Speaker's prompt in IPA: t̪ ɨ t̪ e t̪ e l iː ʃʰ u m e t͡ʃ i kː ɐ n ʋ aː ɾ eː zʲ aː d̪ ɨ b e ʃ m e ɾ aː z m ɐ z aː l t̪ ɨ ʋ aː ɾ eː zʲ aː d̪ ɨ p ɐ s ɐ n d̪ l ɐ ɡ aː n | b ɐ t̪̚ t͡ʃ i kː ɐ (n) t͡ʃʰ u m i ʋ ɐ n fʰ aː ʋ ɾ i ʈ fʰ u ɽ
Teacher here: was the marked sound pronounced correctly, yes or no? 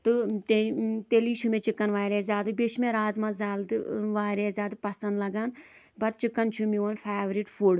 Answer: yes